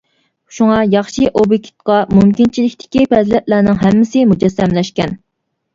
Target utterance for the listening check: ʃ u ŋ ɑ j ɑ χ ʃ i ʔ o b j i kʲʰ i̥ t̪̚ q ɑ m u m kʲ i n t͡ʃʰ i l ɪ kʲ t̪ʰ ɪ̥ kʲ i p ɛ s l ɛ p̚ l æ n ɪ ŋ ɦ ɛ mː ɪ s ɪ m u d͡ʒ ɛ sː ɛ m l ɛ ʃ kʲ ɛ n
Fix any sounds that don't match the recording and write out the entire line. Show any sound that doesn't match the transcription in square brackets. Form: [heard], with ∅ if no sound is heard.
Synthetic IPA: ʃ u ŋ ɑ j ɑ χ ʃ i ʔ o b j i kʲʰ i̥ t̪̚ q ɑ m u m kʲ i n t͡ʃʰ i l ɪ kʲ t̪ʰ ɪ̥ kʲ i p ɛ [z] l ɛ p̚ l æ n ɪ ŋ ɦ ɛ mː ɪ s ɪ m u d͡ʒ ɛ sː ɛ m l ɛ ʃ kʲ ɛ n